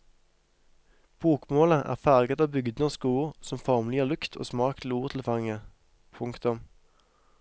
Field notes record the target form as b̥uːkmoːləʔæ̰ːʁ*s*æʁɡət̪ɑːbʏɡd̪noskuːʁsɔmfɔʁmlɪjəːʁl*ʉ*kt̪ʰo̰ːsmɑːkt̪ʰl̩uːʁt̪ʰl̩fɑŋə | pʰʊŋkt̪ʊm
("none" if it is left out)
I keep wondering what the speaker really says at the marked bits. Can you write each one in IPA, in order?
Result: f, ʉ

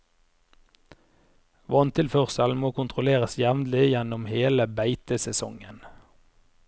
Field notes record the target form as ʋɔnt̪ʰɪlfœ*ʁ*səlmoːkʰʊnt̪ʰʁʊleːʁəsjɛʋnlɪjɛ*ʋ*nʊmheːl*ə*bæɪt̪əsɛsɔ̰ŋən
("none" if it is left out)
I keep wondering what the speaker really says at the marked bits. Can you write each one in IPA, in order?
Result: ʁ, none, ə

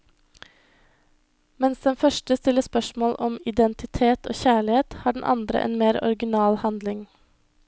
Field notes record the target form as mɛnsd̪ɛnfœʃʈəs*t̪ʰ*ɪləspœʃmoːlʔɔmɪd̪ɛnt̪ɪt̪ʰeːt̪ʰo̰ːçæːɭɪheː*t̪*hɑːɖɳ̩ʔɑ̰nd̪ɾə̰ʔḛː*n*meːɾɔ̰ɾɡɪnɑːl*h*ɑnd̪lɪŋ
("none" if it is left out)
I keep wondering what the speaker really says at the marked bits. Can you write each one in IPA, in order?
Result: t̪, t̪, n, h

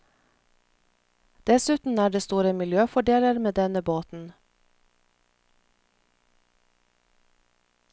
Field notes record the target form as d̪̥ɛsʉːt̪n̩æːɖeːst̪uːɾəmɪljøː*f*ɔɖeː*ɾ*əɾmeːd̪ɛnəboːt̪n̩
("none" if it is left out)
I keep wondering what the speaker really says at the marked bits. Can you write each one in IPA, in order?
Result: f, l

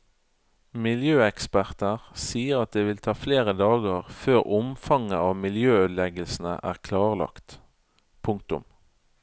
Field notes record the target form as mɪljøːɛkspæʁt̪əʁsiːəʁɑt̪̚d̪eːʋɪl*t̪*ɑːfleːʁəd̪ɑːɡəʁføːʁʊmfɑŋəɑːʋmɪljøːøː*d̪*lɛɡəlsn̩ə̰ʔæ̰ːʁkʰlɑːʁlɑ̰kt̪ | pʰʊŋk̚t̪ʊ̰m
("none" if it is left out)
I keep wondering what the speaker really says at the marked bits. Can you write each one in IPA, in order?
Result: t̪ʰ, d̪

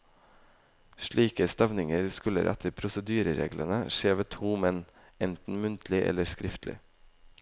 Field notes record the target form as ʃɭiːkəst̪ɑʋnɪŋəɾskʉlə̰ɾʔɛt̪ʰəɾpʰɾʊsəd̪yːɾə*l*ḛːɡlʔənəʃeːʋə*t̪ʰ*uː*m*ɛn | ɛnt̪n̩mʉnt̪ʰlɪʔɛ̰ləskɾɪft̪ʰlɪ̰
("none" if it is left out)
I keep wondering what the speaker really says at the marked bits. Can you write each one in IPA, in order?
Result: ɾ, t̪ʰ, m

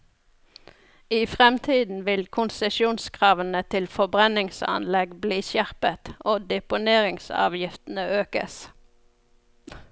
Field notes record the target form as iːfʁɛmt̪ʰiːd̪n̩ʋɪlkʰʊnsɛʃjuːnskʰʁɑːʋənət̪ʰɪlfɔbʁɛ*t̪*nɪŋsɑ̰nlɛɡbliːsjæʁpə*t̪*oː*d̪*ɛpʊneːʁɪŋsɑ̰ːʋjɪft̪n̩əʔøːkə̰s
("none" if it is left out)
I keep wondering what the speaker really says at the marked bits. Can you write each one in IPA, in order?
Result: none, t̪, d̪

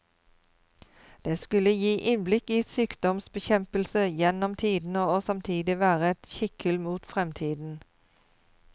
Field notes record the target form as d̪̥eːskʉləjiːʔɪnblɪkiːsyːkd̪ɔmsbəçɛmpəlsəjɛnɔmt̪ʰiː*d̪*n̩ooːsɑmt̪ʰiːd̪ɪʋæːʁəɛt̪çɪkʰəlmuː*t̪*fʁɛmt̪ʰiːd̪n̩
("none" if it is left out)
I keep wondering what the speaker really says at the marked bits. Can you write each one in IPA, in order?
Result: d̪, t̪

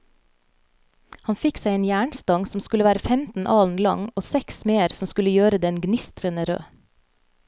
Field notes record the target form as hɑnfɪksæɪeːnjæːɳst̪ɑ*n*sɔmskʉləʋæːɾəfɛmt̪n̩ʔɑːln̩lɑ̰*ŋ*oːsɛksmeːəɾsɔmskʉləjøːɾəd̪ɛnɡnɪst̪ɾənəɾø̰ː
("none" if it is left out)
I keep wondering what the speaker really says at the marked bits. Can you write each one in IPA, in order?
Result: ŋ, ŋ

